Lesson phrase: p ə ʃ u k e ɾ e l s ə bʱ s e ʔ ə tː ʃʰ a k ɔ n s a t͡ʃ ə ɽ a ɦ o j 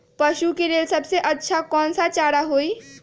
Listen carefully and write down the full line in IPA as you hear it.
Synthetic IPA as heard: p ə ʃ u k e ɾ e l s ə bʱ s e ʔ ə tː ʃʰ a k ɔ n s a t͡ʃ a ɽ a ɦ o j